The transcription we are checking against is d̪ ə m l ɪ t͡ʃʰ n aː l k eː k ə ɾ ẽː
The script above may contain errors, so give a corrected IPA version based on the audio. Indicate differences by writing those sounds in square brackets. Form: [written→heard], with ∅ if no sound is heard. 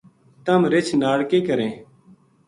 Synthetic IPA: [d̪→t̪] ə m [l→ɾ] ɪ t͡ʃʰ n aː [l→ɽ] k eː k ə ɾ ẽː